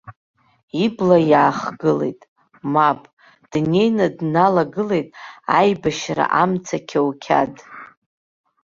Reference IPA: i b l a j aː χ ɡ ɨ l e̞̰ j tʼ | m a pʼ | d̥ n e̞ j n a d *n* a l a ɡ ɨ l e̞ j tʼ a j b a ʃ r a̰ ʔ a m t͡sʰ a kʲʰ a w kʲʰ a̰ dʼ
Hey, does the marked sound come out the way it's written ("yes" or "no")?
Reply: yes